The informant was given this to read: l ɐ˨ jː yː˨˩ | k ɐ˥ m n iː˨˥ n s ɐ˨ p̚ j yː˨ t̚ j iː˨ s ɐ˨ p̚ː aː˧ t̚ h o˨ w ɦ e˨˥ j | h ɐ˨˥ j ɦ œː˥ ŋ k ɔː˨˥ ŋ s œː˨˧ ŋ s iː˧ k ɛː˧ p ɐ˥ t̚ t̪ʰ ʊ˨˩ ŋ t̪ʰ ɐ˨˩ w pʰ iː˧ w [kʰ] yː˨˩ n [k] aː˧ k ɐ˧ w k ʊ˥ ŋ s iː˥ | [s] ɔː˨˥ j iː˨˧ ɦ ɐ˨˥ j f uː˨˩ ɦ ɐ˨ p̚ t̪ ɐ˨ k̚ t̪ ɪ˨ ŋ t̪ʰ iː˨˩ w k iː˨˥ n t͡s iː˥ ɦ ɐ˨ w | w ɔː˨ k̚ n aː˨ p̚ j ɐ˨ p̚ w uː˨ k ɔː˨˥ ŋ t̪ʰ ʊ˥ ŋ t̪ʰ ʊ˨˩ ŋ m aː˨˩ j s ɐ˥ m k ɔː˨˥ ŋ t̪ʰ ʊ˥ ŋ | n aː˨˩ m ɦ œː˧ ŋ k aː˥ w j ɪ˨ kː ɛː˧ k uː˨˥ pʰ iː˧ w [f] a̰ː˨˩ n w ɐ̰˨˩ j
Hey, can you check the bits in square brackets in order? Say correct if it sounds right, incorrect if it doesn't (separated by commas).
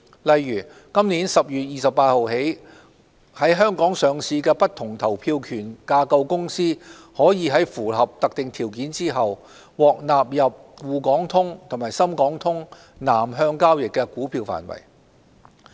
correct, correct, incorrect, correct